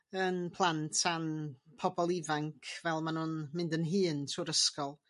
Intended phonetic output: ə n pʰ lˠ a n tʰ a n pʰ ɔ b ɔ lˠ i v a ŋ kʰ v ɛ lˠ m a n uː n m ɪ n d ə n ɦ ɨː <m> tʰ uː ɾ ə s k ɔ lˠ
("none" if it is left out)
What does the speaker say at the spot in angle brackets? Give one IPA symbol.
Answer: n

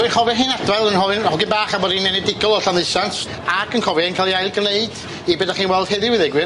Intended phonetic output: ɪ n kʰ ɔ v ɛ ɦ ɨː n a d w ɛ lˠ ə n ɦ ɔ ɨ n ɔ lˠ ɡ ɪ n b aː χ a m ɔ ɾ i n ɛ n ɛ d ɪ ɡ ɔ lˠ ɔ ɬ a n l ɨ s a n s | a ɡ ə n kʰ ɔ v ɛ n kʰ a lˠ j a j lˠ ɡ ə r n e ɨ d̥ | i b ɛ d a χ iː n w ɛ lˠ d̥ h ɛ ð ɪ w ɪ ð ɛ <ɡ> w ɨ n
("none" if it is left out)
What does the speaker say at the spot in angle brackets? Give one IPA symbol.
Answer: ɡ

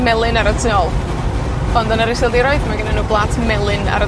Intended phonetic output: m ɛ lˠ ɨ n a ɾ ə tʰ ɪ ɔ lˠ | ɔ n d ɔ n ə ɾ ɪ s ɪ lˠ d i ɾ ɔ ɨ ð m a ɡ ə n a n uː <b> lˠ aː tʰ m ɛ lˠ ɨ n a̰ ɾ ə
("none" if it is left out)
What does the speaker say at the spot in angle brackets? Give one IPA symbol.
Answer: b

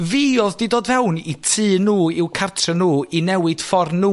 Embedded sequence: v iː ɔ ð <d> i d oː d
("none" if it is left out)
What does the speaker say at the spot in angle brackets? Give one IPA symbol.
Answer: d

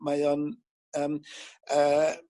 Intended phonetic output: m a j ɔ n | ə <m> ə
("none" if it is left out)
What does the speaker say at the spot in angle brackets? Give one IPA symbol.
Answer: m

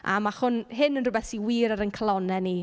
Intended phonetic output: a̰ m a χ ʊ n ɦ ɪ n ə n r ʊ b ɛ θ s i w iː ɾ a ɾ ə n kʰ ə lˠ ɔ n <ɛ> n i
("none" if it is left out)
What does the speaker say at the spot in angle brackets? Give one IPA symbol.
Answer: ɛ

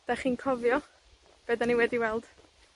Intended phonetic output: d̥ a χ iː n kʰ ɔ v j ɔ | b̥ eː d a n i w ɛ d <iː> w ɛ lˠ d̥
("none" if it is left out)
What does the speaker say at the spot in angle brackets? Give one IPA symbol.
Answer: i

